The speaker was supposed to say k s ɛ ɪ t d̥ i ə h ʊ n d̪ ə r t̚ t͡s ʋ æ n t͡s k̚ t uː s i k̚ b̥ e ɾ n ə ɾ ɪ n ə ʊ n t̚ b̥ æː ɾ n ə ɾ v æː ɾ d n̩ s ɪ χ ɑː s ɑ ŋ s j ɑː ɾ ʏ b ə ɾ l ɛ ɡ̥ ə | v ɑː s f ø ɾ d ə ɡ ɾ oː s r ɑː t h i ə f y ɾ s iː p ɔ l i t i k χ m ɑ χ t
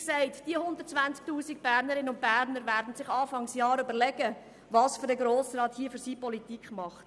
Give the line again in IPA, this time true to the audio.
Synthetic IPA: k s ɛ ɪ t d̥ i ə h ʊ n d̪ ə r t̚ t͡s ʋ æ n t͡s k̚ t uː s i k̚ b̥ æ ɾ n ə ɾ ɪ n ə ʊ n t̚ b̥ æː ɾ n ə ɾ v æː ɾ d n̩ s ɪ χ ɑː f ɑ ŋ s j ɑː ɾ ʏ b ə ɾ l ɛ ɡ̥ ə | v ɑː s f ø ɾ d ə ɡ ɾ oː s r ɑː t h i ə f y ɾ s iː p ɔ l i t i k χ m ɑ χ t

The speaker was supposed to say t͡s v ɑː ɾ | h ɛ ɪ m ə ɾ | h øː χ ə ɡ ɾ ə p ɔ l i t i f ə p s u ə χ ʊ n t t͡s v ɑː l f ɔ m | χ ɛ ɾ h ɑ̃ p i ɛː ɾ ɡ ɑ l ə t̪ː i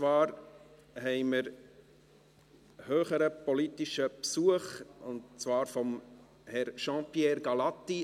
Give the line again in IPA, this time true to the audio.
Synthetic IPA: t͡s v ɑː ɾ | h ɛ ɪ m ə ɾ | h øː χ ə ɾ ə p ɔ l i t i ʃ ə p s u ə χ ʊ n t t͡s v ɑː ɾ f ɔ m | h ɛ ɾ ʃ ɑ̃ p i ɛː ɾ ɡ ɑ l ɑ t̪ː i

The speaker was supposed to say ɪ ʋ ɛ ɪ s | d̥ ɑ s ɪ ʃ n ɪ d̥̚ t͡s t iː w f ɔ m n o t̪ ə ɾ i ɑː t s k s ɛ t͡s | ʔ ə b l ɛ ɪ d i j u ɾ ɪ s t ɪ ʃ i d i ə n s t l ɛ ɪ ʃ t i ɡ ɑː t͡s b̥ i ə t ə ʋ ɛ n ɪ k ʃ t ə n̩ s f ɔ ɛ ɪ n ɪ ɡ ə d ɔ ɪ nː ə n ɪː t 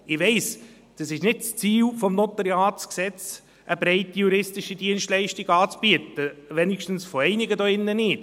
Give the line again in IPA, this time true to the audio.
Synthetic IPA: ɪ ʋ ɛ ɪ s | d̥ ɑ s ɪ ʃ n ɪ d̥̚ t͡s t͡s iː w f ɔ m n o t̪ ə ɾ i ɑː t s k s ɛ t͡s | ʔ ə b ɾ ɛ ɪ t i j u ɾ ɪ s t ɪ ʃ i d i ə n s t l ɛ ɪ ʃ t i ɡ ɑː t͡s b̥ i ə t ə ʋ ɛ n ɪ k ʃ t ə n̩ s f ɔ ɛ ɪ n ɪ ɡ ə d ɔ ɪ nː ə n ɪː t

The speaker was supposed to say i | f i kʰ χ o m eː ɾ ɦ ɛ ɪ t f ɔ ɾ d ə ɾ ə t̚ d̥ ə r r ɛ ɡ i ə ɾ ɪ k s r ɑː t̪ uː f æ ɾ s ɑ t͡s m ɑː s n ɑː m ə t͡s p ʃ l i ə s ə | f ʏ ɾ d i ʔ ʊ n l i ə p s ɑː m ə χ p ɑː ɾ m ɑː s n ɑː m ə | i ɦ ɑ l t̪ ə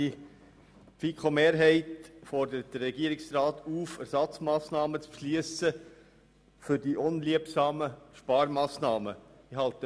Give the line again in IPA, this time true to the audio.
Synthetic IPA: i | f i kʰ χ o m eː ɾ ɦ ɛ ɪ t f ɔ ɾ d ə ɾ ə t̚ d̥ ə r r ɛ ɡ i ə ɾ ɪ k s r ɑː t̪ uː f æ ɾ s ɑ t͡s m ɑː s n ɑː m ə t͡s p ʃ l i ə s ə | f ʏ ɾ d i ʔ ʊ n l i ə p s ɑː m ə ʃ p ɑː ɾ m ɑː s n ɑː m ə | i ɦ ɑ l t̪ ə

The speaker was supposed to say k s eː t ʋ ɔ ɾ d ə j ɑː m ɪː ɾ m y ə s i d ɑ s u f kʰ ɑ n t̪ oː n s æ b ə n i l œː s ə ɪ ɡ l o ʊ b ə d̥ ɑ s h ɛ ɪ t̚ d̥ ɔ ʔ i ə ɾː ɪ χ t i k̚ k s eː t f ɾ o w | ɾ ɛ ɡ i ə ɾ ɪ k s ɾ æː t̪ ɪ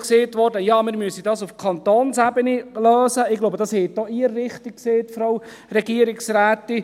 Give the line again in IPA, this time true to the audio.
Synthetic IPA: k s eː t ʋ ɔ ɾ d ə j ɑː m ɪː ɾ m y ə s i d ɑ s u f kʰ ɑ n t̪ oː n s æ b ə n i l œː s ə ɪ ɡ l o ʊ b ə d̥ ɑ s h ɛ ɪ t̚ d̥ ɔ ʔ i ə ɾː ɪ χ t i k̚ k s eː t f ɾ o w | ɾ ɛ ɡ i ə ɾ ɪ k s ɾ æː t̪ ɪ

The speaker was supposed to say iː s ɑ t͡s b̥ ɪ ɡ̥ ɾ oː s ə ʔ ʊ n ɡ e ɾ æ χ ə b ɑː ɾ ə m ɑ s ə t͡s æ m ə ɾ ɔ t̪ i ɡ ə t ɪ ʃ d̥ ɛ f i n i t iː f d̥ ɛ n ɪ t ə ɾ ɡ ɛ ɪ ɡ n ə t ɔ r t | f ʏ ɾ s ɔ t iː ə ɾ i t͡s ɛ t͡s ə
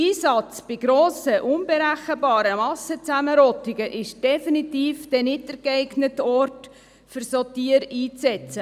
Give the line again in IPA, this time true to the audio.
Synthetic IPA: iː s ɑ t͡s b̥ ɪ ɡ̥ ɾ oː s ə ʔ ʊ n b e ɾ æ χ ə b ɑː ɾ ə m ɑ s ə t͡s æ m ə ɾ ɔ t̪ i ɡ ə ʔ ɪ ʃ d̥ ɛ f i n i t iː f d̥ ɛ n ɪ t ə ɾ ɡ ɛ ɪ ɡ n ə t ɔ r t | f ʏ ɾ s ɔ t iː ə ɾ iː t͡s ɛ t͡s ə

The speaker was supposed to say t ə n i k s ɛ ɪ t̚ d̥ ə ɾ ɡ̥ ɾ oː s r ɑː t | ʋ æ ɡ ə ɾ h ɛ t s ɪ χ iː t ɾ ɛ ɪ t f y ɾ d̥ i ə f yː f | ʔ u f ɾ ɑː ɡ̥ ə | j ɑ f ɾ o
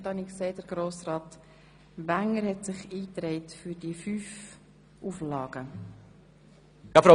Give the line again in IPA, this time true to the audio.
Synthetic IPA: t ɑ n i k s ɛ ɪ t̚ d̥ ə ɾ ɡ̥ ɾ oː s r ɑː t | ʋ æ ŋ ə ɾ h ɛ t s ɪ χ iː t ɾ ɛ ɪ t f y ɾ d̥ i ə f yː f | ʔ u f l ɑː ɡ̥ ə | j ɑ f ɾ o

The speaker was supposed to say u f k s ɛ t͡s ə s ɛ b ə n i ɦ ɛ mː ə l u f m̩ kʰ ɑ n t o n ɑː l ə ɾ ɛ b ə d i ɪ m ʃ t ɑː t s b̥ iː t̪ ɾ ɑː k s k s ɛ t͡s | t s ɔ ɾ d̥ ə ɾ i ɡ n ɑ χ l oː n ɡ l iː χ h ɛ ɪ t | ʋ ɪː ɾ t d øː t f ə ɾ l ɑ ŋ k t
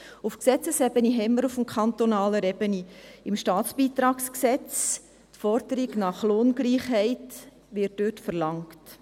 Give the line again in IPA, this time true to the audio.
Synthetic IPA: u f k s ɛ t͡s ə s ɛ b ə n i ɦ ɛ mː ə ɾ u f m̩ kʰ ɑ n t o n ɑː l ə ɾ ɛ b ə n i ɪ m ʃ t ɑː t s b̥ iː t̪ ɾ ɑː k s k s ɛ t͡s | t f ɔ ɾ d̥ ə ɾ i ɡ n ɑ χ l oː n ɡ l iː χ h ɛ ɪ t | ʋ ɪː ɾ t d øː t f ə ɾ l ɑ ŋ k t

